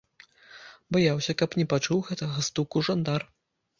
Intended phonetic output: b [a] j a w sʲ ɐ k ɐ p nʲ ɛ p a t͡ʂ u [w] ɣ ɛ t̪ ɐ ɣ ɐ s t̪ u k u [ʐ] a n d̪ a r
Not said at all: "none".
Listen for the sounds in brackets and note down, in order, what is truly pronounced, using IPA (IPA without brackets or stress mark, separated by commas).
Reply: a, w, ʐ